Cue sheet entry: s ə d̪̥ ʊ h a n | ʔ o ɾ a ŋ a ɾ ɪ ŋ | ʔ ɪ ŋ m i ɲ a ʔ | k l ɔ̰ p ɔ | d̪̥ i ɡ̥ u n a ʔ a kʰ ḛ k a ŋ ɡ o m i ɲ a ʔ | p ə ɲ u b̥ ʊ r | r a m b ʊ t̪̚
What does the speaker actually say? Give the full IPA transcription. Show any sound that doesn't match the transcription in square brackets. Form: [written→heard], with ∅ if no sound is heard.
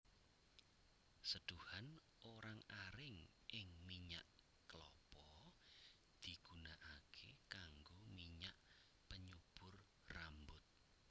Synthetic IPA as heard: s ə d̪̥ [ʊ→u] h a n | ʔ o ɾ a ŋ a ɾ ɪ ŋ | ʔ ɪ ŋ m i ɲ a ʔ | k l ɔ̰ p ɔ | d̪̥ i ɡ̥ u n a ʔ a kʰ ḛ k a ŋ ɡ o m i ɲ a ʔ | p ə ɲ u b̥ ʊ r | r a m b ʊ t̪̚